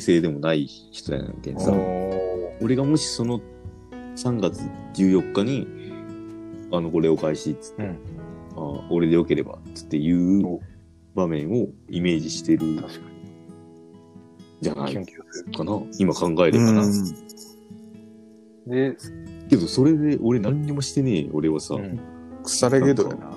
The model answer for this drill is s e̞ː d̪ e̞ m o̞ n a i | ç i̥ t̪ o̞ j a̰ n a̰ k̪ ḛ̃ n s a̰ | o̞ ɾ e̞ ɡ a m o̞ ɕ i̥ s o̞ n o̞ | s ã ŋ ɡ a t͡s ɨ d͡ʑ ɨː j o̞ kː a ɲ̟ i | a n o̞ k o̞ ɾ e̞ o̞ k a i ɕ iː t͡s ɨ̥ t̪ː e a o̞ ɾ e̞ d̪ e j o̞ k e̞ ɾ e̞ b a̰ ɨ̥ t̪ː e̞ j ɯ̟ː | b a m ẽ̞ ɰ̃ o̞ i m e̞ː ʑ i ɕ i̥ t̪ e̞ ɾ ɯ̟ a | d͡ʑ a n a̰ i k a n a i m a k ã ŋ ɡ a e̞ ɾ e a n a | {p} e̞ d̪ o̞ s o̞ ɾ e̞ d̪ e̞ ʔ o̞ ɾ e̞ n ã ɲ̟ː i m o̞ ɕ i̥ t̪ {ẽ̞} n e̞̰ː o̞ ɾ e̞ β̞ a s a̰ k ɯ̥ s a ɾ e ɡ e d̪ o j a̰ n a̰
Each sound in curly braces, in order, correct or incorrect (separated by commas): incorrect, incorrect